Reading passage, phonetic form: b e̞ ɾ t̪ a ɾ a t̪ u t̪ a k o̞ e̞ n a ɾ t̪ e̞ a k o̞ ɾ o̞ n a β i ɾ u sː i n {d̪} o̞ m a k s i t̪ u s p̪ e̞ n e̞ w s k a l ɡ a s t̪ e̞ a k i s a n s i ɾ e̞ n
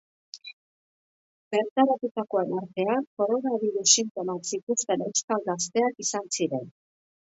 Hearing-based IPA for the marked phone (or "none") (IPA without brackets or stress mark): t̪